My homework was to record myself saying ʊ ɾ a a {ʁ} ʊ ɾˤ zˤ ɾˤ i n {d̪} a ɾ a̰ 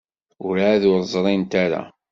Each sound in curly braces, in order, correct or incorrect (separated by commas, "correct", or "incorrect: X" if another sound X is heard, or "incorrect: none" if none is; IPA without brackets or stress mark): incorrect: ð, incorrect: t̪